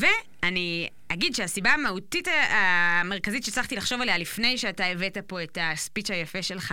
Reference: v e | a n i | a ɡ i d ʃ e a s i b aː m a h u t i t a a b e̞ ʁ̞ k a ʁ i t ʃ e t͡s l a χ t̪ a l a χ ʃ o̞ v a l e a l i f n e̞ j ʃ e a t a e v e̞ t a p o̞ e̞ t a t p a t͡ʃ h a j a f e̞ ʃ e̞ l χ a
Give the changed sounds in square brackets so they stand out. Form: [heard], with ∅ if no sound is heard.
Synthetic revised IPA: v e | a n i | a ɡ i d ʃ e a s i b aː m a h u t i t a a [m] e̞ ʁ̞ k a [z] i t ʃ e t͡s l a χ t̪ [i] l a χ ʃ o̞ v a l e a l i f n e̞ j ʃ e a t a e v e̞ t a p o̞ e̞ t a [s] p [i] t͡ʃ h a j a f e̞ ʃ e̞ l χ a